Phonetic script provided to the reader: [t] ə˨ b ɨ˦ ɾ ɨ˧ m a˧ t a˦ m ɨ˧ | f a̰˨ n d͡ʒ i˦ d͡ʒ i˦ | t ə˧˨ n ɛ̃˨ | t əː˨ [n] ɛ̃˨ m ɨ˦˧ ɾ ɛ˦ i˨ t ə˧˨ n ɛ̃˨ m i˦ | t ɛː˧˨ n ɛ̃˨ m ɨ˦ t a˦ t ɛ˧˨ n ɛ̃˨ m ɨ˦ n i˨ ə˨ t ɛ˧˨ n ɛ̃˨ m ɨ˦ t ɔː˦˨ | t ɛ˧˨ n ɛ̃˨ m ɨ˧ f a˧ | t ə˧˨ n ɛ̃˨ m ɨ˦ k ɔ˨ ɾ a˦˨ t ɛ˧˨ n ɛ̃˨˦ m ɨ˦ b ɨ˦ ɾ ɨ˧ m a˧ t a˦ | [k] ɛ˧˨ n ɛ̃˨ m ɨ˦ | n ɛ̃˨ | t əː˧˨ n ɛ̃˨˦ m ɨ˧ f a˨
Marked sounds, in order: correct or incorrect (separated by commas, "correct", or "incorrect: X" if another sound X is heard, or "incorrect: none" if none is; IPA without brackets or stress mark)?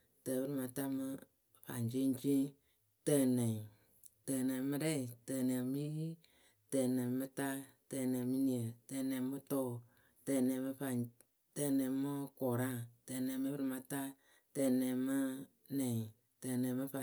correct, correct, incorrect: t